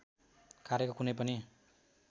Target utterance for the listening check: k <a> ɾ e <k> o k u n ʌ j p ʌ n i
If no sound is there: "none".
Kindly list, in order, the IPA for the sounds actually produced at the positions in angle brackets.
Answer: a, k

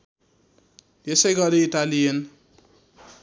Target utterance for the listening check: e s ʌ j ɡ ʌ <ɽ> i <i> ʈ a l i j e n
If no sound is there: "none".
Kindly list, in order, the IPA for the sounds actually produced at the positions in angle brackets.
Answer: ɾ, i

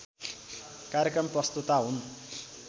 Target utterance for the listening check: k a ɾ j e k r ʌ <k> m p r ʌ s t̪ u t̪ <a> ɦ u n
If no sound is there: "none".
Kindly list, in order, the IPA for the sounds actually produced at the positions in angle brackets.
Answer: none, a

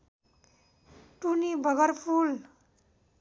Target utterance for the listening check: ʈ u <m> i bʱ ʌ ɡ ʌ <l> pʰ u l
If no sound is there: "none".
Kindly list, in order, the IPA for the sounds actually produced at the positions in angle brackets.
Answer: n, ɾ

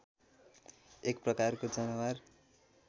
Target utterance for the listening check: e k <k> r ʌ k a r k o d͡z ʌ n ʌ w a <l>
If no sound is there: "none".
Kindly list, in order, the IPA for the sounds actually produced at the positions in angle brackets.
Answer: p, r

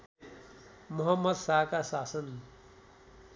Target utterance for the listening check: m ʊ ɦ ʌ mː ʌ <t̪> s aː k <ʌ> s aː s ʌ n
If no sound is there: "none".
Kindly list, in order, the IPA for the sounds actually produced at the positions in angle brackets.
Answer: d̪, a

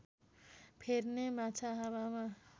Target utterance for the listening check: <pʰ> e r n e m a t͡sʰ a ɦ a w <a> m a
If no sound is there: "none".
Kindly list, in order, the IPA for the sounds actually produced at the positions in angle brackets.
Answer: pʰ, a

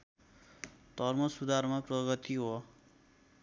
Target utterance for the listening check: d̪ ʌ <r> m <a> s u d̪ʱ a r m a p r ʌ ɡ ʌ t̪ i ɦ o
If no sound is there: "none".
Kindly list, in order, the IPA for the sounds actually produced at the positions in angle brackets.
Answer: r, ʌ

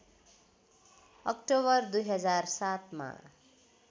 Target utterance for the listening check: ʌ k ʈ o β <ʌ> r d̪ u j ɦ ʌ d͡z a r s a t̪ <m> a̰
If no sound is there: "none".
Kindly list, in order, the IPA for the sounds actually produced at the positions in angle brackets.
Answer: ʌ, m

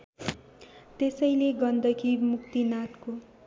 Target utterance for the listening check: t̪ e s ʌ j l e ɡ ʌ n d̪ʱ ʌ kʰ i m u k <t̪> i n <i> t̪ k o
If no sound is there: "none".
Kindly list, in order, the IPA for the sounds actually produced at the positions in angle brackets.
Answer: t̪, a

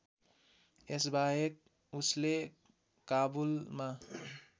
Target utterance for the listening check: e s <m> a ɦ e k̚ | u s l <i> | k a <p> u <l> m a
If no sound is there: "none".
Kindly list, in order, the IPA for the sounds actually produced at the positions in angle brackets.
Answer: b, e, b, l

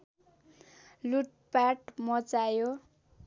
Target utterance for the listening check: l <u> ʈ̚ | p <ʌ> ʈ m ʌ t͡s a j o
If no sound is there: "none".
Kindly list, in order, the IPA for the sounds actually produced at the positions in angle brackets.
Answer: u, a

